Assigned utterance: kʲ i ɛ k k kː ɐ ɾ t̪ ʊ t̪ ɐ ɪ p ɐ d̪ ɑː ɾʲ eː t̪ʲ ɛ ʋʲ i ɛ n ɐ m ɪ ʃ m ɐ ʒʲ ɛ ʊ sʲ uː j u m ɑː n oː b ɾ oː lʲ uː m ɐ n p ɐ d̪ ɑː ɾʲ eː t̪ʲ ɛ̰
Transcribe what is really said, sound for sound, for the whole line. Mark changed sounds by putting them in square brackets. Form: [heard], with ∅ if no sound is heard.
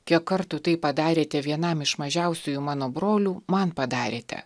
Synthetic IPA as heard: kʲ i ɛ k k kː ɐ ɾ t̪ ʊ t̪ ɐ ɪ p ɐ d̪ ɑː ɾʲ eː t̪ʲ ɛ ʋʲ i ɛ n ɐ m ɪ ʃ m ɐ ʒʲ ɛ ʊ sʲ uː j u m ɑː n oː b ɾ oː lʲ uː m ɐ n p ɐ d̪ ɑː ɾʲ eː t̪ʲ ɛ̰